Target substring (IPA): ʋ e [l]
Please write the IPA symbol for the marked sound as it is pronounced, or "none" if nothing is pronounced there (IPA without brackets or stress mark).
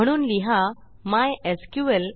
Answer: l